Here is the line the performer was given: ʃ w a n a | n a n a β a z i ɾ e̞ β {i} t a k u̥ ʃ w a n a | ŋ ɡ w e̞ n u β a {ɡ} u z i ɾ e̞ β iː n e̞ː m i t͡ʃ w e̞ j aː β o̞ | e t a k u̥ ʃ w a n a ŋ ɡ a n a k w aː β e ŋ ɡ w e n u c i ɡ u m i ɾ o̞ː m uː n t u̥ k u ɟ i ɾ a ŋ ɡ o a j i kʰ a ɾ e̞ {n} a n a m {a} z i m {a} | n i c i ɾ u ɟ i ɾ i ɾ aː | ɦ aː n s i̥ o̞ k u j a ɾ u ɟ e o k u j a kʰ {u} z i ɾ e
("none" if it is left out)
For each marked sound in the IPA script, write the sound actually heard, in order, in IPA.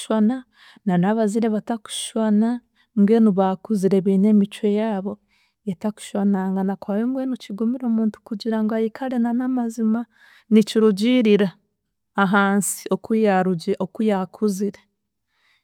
a, k, n, a, a, u

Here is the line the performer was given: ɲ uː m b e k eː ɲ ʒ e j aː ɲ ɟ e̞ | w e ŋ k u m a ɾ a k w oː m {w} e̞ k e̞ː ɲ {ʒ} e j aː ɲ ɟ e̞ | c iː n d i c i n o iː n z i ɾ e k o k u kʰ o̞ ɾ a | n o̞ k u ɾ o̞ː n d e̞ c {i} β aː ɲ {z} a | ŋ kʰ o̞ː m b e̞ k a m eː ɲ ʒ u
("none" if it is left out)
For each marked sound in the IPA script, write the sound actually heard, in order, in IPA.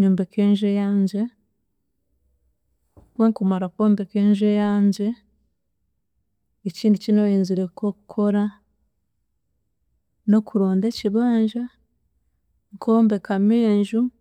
b, ʒ, i, ʒ

